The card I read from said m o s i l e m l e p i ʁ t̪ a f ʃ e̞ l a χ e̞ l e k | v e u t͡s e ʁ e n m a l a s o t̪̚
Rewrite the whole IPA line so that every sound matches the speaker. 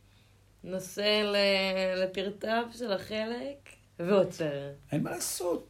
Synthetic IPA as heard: n o s e l e l e p i ʁ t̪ a v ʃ e̞ l a χ e̞ l e k | v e o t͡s e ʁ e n m a l a s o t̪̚